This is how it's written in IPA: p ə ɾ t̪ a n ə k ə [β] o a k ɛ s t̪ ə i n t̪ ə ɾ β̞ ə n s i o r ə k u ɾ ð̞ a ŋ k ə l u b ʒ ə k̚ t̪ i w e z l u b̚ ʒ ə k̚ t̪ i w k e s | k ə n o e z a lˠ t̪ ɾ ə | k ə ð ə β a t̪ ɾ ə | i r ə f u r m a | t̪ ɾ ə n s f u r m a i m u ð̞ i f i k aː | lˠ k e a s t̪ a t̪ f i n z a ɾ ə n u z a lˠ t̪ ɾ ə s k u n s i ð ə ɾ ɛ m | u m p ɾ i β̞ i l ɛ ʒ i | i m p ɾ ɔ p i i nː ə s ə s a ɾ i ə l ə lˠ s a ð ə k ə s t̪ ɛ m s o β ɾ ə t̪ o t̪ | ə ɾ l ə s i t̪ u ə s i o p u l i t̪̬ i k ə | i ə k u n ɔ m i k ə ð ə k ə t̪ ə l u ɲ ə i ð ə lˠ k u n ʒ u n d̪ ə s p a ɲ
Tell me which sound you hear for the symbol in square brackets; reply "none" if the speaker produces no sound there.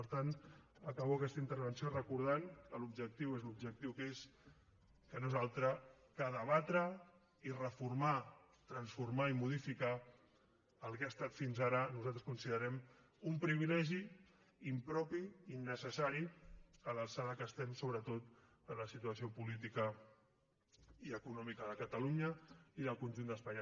β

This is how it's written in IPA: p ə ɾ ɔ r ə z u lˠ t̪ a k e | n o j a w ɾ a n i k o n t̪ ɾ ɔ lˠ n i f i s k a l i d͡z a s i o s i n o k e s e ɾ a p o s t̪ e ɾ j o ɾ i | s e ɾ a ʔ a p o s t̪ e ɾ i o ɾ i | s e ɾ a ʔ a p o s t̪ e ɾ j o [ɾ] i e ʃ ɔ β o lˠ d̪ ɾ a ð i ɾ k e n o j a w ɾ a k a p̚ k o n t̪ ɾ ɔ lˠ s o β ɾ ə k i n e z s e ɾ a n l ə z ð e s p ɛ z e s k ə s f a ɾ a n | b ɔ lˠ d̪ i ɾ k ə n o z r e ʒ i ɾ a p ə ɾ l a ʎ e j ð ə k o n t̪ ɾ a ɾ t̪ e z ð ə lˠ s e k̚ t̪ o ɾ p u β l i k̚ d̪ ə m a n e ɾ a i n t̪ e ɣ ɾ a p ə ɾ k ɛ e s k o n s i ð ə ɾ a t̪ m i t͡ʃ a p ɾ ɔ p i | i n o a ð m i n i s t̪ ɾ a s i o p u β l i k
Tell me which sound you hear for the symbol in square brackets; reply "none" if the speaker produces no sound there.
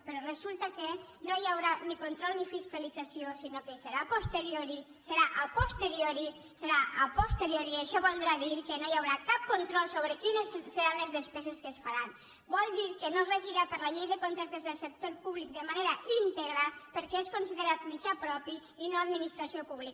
ɾ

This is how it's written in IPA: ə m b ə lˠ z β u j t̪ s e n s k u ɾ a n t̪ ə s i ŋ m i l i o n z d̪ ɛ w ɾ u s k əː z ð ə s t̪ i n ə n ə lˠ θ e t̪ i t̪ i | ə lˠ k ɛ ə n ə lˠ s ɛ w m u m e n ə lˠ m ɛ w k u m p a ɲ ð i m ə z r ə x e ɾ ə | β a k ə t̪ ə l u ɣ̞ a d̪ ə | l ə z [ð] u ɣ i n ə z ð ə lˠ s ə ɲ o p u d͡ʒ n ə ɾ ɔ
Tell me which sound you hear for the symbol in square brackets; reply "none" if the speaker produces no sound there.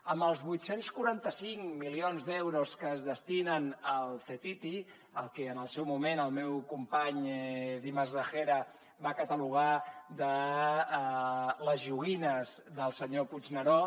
ʒ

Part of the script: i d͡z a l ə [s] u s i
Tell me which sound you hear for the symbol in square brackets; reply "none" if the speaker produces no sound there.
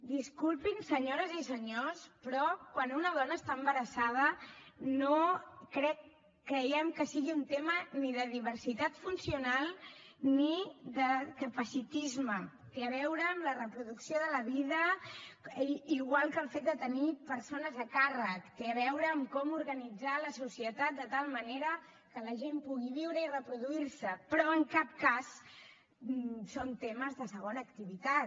s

